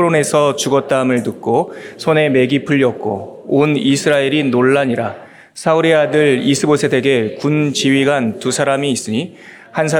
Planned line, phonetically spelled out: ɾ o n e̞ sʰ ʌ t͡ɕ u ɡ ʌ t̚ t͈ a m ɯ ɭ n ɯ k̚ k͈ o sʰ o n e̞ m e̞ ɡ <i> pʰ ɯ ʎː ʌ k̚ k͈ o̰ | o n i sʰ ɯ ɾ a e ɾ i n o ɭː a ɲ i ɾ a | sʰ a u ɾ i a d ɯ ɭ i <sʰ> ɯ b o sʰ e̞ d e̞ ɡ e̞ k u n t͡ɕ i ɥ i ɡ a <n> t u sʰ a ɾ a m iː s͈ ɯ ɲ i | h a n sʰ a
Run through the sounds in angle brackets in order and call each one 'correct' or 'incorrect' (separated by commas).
correct, correct, correct